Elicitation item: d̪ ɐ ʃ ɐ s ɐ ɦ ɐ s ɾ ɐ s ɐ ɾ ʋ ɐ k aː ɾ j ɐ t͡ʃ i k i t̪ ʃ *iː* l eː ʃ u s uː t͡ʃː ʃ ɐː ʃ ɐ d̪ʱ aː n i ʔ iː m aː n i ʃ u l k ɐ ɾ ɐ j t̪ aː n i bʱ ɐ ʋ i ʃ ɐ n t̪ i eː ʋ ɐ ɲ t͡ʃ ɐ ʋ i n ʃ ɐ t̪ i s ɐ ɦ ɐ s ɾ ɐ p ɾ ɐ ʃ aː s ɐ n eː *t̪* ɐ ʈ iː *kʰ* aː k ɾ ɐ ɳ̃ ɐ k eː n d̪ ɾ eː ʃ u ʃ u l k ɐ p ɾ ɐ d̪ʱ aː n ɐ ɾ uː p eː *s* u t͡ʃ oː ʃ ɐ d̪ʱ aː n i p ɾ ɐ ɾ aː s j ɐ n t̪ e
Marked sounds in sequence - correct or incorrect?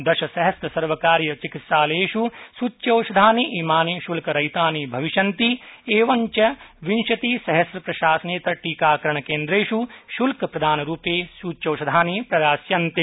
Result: incorrect, correct, incorrect, correct

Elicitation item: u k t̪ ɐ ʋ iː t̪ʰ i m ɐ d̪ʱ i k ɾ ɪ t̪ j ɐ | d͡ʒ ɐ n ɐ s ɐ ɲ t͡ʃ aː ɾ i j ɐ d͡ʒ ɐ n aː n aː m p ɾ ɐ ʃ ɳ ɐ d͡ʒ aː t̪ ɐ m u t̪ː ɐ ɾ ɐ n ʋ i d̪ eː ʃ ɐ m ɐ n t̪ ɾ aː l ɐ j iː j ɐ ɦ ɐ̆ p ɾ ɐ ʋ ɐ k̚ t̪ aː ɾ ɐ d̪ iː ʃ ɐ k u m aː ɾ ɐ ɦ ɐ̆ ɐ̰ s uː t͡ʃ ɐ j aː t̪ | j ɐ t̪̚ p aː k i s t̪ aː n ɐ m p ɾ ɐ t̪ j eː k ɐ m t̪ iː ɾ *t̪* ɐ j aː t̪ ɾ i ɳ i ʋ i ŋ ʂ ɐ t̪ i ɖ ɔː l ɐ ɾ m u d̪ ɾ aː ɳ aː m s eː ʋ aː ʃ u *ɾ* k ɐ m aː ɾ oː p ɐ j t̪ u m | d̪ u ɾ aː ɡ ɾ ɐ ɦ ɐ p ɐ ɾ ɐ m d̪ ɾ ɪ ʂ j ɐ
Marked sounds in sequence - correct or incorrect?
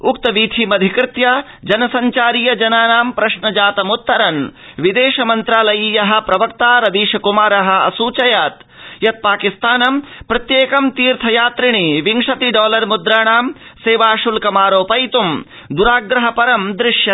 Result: incorrect, incorrect

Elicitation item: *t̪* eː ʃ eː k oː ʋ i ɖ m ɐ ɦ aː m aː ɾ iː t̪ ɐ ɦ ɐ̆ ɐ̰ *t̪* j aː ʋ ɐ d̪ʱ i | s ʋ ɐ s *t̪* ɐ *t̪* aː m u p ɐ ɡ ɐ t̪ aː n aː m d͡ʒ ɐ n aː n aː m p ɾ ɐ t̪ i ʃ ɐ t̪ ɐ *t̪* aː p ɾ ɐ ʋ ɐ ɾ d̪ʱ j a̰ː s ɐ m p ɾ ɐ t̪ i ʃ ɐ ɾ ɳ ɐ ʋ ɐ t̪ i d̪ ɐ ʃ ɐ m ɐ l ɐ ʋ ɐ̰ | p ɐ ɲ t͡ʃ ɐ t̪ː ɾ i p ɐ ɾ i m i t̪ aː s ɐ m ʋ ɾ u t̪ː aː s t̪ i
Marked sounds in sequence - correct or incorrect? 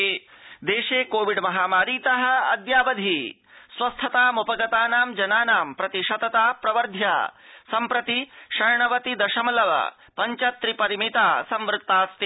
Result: incorrect, incorrect, incorrect, correct, correct

